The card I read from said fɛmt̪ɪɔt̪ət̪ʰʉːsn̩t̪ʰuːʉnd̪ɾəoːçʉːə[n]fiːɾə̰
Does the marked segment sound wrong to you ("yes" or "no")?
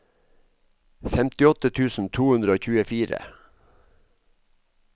yes